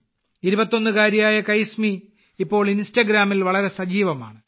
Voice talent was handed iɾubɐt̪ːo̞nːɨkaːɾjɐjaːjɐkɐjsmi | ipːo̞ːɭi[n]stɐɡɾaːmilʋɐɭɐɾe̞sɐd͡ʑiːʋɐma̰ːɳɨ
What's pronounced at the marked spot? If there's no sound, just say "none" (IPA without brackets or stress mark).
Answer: n